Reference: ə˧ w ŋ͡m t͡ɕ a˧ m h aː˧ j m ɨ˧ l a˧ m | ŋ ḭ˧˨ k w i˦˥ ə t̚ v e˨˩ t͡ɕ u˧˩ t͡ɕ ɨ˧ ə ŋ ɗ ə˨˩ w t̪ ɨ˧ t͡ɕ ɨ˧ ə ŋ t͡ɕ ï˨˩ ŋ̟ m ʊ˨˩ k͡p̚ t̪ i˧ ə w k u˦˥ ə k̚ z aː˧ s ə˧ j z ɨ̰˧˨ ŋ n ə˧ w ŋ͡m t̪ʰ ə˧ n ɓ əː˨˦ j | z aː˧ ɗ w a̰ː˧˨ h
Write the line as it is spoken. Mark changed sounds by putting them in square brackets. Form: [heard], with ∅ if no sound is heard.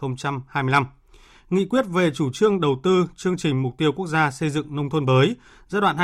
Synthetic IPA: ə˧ w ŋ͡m t͡ɕ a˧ m h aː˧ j m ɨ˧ l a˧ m | ŋ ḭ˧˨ k w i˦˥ ə t̚ v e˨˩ t͡ɕ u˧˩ t͡ɕ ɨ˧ ə ŋ ɗ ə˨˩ w t̪ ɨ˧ t͡ɕ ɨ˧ ə ŋ t͡ɕ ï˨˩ ŋ̟ m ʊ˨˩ k͡p̚ t̪ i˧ ə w k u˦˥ ə k̚ z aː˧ s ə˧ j z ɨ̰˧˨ ŋ n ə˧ w ŋ͡m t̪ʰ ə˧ n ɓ əː˨˦ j | z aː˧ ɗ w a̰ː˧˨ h